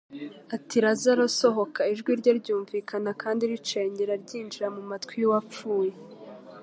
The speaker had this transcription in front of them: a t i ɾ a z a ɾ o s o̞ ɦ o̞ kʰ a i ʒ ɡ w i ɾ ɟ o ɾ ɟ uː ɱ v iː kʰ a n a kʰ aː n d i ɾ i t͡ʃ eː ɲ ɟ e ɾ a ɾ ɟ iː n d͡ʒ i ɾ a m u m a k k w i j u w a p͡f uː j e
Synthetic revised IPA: a t i ɾ a z a ɾ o s o̞ ɦ o̞ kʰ a i ʒ ɡ w i ɾ ɟ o ɾ ɟ uː ɱ v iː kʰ a n a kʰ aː n d i ɾ i t͡ʃ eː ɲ ɟ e ɾ a ɾ ɟ iː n d͡ʒ i ɾ a m u m a t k w i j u w a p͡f uː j e